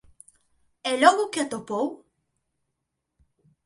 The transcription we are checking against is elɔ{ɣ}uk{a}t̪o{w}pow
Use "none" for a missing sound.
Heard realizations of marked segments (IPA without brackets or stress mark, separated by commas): ɣ, e, none